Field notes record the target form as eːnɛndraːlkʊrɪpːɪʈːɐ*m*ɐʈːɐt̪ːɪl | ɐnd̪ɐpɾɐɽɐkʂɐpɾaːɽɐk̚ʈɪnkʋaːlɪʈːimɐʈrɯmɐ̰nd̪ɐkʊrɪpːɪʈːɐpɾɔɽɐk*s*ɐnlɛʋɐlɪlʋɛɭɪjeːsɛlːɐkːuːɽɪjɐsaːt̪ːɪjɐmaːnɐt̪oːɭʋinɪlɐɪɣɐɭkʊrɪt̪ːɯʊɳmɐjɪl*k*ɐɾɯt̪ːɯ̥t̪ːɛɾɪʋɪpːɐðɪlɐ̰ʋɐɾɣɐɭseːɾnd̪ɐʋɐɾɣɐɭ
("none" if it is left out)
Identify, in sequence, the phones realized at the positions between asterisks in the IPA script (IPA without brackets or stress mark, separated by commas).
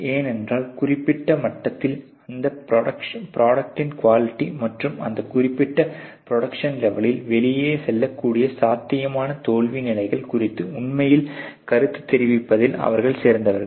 m, ʂ, k